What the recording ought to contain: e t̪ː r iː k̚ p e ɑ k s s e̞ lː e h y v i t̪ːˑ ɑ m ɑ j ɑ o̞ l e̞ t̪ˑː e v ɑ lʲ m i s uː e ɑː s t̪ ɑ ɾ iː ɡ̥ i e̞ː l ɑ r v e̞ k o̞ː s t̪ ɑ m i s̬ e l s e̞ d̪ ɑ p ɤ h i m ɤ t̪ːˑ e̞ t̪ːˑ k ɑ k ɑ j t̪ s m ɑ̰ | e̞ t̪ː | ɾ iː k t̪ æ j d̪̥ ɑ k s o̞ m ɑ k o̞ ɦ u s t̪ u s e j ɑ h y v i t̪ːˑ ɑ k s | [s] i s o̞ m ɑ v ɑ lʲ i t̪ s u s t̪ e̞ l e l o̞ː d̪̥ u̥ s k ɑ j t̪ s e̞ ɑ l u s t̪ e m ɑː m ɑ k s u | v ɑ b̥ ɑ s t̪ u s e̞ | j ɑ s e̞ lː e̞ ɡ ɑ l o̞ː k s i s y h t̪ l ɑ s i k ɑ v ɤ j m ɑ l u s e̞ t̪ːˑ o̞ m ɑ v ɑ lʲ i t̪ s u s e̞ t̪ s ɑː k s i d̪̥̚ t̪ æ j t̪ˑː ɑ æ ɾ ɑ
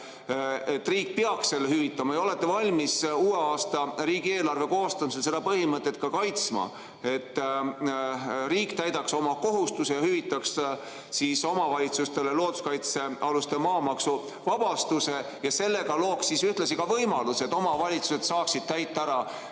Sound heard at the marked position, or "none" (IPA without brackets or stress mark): s